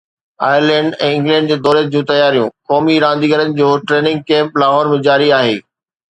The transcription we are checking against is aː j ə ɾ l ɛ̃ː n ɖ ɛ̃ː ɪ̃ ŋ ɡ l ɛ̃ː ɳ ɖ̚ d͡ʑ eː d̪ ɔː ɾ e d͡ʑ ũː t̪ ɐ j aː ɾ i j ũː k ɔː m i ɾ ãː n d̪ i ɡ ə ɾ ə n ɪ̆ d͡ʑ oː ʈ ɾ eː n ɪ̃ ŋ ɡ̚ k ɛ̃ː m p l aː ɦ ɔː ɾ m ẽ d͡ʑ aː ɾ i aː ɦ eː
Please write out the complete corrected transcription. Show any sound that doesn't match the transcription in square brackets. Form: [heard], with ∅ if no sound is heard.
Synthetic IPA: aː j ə ɾ l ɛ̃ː [ɳ] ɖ ɛ̃ː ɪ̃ ŋ ɡ l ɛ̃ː ɳ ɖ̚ d͡ʑ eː d̪ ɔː ɾ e d͡ʑ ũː t̪ ɐ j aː ɾ i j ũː k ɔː m i ɾ ãː n d̪ i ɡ ə ɾ ə n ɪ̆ d͡ʑ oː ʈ ɾ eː n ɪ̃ ŋ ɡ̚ k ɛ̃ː m p l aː ɦ ɔː ɾ m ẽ d͡ʑ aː ɾ i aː ɦ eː